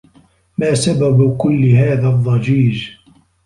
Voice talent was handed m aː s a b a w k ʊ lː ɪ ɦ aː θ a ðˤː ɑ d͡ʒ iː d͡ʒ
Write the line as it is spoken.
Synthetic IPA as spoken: m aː s a b a b k ʊ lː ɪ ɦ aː ð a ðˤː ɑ d͡ʒ iː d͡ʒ